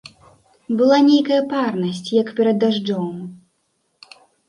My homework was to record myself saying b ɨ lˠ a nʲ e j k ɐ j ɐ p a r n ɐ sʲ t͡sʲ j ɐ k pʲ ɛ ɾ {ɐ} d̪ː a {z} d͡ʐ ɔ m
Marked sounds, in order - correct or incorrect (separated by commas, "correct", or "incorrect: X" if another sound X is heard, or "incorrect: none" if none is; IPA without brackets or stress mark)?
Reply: correct, incorrect: ʐ